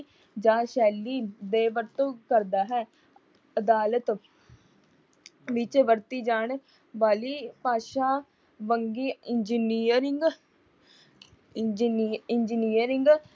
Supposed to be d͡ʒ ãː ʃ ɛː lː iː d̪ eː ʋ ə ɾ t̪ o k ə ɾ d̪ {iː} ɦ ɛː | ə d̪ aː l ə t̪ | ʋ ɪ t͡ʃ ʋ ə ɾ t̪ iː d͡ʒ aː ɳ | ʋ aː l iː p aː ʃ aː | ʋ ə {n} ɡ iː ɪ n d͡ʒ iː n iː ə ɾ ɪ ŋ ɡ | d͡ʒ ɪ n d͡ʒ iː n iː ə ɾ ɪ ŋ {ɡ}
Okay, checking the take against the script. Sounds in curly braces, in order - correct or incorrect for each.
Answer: incorrect: aː, incorrect: ŋ, correct

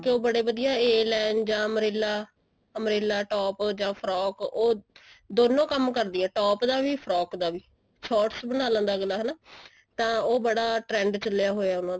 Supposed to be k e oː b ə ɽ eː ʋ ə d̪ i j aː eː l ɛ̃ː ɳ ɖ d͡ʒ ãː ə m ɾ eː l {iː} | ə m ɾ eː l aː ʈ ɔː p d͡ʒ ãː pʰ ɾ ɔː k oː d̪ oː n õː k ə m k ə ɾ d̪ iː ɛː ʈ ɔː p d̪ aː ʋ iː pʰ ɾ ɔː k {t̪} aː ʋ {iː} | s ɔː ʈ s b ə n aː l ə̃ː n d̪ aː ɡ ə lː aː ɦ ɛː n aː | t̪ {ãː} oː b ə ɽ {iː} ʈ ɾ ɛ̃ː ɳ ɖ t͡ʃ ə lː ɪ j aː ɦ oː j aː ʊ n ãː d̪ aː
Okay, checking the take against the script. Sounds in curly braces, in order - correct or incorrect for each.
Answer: incorrect: aː, incorrect: d̪, correct, correct, incorrect: aː

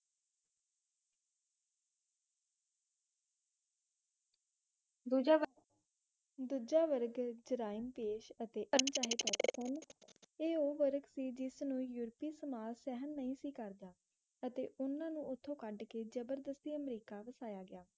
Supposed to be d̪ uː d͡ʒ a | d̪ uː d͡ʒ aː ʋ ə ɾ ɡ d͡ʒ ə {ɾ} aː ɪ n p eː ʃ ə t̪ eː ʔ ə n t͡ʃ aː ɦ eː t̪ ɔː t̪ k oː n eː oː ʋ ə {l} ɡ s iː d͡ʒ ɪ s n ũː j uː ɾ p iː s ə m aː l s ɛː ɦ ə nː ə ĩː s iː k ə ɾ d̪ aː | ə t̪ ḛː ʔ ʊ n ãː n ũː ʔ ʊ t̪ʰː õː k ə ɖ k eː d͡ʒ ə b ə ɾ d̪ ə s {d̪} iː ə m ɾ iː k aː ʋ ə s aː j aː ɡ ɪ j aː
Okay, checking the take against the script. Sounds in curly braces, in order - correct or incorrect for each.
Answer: correct, incorrect: ɾ, incorrect: t̪

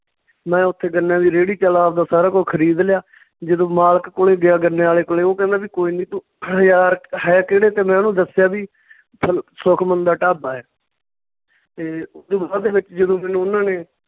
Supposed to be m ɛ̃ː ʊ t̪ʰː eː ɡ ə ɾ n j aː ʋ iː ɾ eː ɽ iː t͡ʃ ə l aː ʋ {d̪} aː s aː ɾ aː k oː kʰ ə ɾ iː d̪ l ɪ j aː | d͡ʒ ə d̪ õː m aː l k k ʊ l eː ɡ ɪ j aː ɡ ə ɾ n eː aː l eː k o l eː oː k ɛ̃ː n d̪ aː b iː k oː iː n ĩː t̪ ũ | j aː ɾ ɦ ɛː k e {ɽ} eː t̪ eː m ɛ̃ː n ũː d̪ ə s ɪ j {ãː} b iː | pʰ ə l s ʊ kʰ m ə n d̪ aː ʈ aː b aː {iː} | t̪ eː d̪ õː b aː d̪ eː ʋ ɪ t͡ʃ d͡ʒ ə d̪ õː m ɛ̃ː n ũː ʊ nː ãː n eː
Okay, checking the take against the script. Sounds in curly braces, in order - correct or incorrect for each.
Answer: correct, correct, incorrect: aː, incorrect: ɛː

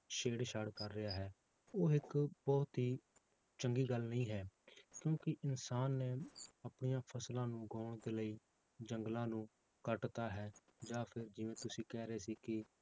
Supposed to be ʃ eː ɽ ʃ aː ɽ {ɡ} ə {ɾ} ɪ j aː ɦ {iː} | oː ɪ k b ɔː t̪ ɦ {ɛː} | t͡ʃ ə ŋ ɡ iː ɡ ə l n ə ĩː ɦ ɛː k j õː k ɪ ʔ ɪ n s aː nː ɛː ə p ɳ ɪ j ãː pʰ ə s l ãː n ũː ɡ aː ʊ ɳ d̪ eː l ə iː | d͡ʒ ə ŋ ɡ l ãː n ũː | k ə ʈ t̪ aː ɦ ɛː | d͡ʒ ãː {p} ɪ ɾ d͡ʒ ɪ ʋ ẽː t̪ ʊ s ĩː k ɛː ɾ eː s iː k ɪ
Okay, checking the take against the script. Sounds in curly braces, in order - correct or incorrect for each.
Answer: incorrect: k, incorrect: ɾː, incorrect: ɛː, incorrect: iː, incorrect: pʰ

